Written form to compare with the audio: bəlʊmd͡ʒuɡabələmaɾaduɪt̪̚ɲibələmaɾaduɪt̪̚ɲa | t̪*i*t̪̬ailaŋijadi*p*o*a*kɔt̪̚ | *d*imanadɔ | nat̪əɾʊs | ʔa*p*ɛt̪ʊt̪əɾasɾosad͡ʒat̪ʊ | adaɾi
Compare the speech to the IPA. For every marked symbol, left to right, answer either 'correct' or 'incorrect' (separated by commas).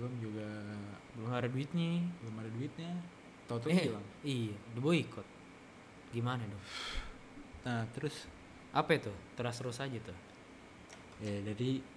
incorrect, incorrect, incorrect, incorrect, correct